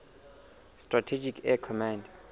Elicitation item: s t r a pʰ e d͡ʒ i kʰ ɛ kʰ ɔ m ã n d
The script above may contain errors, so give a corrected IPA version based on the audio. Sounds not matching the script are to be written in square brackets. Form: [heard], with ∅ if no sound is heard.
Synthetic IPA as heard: s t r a [tʰ] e d͡ʒ i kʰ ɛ kʰ ɔ m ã n d